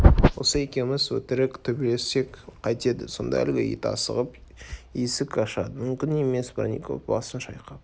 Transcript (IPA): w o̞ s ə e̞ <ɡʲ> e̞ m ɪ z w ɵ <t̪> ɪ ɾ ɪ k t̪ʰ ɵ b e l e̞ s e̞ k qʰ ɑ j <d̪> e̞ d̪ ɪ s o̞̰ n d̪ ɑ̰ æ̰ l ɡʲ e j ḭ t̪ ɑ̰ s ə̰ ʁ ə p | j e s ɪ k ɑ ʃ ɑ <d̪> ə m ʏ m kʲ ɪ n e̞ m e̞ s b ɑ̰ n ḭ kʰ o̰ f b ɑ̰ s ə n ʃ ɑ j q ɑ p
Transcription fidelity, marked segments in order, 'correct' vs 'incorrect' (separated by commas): incorrect, correct, incorrect, correct